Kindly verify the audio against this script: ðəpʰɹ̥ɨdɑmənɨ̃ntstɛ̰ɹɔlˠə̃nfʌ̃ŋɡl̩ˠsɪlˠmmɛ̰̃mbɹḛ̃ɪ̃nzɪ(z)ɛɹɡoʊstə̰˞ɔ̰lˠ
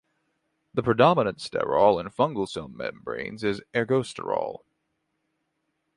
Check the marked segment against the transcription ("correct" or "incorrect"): correct